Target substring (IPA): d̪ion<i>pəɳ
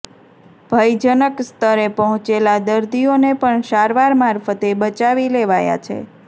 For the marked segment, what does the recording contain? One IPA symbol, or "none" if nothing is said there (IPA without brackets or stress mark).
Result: e